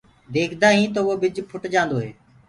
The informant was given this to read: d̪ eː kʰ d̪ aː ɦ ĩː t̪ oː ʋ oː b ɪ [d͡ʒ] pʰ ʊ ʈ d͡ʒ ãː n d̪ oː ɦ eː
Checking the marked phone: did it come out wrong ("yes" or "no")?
no